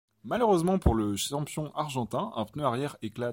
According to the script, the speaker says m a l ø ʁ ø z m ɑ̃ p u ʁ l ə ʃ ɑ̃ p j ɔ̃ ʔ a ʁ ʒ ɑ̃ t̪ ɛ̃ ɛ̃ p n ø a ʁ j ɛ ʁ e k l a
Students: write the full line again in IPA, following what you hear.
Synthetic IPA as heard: m a l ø ʁ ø z m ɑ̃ p u ʁ l ə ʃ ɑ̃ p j ɔ̃ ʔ a ʁ ʒ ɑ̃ t̪ ɛ̃ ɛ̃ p n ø a ʁ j ɛ ʁ e k l a